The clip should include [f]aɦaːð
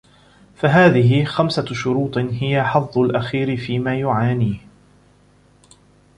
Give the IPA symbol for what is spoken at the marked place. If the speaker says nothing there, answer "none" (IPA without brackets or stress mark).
f